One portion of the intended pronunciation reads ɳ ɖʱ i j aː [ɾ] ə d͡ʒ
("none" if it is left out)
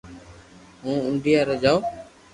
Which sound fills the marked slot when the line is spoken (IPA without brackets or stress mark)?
ɾ